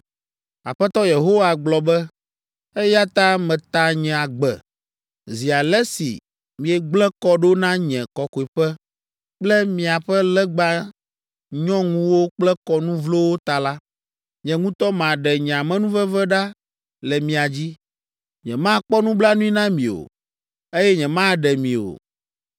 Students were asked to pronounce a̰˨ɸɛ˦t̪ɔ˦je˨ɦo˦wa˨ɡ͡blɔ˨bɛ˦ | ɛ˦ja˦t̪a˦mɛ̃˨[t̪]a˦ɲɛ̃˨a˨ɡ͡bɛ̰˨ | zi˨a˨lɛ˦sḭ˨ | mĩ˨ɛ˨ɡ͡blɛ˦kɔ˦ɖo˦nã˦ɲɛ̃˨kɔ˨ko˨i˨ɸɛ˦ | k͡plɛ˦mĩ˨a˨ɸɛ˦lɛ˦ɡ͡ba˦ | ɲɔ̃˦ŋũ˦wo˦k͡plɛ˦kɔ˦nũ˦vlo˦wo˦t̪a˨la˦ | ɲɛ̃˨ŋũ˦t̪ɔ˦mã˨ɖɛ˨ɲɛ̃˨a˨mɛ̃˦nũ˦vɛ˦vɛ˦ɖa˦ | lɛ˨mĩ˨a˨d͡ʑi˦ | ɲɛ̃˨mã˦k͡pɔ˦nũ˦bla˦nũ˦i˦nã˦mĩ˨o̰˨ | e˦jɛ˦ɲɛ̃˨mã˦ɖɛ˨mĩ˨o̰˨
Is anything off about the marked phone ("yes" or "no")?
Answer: no